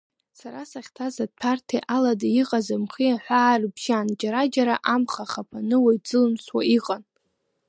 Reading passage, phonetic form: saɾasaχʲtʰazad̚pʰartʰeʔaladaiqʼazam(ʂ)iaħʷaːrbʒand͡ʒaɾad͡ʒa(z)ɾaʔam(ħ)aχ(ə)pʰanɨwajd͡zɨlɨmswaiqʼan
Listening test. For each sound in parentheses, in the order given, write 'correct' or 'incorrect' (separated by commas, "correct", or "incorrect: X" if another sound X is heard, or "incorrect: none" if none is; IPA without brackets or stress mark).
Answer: incorrect: χ, incorrect: none, incorrect: χ, incorrect: a